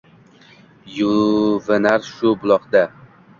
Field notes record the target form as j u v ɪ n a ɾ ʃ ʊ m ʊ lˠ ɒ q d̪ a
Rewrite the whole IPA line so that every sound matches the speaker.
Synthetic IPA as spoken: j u v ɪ n a ɾ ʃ ʊ b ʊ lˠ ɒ q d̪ a